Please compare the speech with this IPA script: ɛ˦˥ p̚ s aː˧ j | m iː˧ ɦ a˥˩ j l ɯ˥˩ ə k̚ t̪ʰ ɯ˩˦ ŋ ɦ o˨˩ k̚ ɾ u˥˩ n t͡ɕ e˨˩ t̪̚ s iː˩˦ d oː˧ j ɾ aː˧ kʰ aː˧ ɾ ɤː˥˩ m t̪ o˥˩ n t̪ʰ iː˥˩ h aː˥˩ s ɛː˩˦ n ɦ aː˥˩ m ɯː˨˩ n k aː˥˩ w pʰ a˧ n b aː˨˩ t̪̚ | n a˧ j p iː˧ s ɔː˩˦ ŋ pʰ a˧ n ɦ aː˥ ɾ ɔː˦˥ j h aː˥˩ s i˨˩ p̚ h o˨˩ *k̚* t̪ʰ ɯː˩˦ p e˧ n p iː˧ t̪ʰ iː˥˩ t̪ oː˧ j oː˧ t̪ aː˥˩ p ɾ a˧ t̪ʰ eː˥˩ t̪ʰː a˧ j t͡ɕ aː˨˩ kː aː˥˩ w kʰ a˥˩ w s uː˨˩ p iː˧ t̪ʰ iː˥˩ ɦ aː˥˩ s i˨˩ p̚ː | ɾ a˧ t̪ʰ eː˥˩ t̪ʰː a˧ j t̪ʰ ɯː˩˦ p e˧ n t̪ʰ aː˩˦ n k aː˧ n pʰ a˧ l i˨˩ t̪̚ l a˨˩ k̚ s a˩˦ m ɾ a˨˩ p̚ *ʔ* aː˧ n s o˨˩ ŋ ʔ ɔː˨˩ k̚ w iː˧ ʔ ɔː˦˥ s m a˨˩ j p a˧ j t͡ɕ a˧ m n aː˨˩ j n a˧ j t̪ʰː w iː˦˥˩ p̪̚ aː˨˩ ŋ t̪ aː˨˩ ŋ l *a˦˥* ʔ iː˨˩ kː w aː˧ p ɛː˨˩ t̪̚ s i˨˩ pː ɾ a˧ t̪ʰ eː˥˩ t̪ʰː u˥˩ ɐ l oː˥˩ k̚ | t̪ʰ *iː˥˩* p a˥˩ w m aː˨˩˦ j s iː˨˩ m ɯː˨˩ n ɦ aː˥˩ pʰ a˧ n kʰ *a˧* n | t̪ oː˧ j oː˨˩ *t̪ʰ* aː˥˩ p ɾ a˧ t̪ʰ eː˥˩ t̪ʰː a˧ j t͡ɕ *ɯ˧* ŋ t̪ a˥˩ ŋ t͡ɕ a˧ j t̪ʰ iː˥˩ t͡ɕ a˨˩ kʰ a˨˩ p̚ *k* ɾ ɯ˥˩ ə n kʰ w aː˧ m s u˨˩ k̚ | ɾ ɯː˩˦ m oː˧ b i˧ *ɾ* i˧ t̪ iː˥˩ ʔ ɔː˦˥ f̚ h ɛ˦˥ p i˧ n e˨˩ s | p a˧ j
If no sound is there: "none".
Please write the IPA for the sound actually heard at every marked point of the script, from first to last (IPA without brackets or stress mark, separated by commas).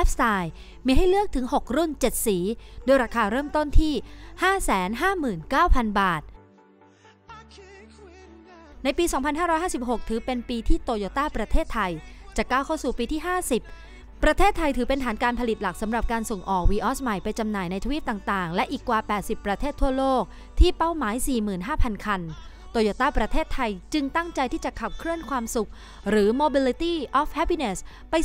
k̚, k, ɛ˦˥, iː˥˩, a˧, t̪, ɯ˧, kʰ, l